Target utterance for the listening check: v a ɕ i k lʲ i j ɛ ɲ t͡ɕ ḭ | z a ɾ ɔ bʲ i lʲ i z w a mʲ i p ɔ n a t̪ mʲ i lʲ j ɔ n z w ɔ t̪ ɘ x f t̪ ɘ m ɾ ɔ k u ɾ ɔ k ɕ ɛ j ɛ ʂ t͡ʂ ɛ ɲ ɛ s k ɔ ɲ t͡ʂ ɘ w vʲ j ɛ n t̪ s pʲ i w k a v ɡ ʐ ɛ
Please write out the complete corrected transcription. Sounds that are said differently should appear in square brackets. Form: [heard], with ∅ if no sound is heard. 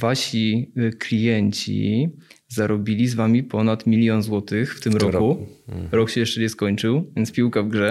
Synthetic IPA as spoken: v a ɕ i k lʲ i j ɛ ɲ t͡ɕ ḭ | z a ɾ ɔ bʲ i lʲ i z [v] a mʲ i p ɔ n a t̪ mʲ i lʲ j ɔ n z w ɔ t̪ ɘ x f t̪ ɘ m ɾ ɔ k u ɾ ɔ k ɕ ɛ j ɛ ʂ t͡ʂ ɛ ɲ ɛ s k ɔ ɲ t͡ʂ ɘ w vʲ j ɛ n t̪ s pʲ i w k a v ɡ ʐ ɛ